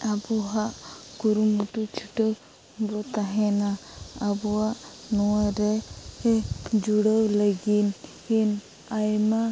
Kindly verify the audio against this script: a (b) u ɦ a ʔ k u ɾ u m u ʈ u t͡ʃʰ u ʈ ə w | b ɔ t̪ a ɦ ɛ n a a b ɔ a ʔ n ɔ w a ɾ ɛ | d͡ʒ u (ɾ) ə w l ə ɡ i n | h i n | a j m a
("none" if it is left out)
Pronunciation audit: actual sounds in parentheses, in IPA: b, ɽ

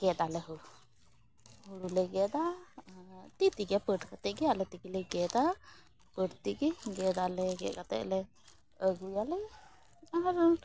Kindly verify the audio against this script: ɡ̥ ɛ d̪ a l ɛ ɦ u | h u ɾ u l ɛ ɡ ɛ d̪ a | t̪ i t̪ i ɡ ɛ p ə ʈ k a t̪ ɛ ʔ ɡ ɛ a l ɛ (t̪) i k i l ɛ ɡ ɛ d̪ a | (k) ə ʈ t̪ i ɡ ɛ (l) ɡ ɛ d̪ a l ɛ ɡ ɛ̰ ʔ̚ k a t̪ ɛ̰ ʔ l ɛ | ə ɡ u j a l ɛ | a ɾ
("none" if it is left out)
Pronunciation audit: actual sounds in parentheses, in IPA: t̪, p, none

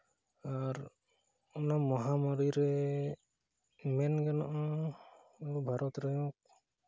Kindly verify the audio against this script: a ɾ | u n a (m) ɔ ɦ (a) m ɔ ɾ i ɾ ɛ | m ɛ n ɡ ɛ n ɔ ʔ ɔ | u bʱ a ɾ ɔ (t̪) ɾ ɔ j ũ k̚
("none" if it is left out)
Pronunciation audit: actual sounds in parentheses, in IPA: m, a, t̪

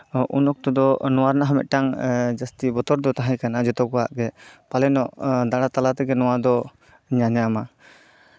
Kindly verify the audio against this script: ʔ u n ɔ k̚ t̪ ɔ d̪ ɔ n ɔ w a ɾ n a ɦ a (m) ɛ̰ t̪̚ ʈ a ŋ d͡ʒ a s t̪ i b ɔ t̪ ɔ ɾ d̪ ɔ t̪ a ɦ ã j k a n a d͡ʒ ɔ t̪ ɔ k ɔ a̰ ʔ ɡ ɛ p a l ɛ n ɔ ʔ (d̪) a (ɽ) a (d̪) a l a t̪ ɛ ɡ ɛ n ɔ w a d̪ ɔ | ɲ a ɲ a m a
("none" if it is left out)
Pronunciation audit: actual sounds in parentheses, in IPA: m, d̪, ɽ, t̪

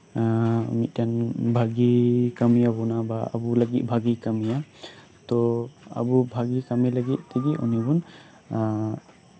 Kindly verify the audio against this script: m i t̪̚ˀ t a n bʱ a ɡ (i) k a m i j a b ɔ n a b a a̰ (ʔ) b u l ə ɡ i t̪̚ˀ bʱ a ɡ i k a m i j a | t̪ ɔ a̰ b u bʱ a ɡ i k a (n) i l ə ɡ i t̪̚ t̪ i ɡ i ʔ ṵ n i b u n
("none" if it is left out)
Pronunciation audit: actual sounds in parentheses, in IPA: i, none, m

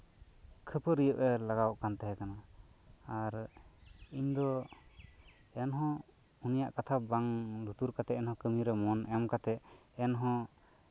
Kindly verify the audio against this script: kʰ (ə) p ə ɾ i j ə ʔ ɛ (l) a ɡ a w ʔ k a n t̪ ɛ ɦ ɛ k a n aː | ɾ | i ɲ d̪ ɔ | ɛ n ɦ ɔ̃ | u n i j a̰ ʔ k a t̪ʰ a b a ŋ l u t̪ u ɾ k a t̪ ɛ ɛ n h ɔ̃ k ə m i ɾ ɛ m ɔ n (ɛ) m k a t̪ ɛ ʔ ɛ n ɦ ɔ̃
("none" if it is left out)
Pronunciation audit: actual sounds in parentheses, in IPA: ə, l, ɛ

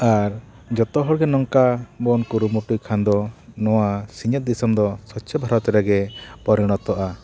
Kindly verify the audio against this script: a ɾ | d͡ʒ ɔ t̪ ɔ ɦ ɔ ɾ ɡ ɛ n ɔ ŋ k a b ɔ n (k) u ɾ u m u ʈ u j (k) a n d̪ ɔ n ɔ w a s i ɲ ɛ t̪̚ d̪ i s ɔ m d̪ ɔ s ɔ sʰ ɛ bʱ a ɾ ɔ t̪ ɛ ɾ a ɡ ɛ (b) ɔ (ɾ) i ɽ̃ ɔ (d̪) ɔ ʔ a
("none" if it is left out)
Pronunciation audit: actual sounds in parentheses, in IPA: k, kʰ, p, ɾ, t̪

